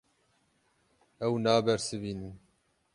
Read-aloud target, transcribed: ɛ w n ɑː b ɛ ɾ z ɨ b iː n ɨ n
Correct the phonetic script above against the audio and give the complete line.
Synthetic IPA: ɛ w n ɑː b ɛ ɾ s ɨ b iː n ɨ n